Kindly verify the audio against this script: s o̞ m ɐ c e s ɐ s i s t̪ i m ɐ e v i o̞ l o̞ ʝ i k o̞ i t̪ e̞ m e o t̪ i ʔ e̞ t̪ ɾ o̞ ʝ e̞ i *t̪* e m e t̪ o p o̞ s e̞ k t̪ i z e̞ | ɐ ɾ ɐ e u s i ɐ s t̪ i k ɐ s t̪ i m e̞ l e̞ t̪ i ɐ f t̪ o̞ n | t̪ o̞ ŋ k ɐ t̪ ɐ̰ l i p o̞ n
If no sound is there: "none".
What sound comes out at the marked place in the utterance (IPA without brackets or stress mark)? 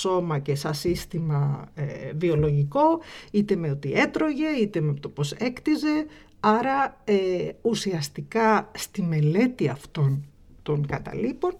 t̪